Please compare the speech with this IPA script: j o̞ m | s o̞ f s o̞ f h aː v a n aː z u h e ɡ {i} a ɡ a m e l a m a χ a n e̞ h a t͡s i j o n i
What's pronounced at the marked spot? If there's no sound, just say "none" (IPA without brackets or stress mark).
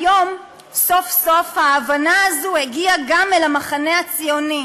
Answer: i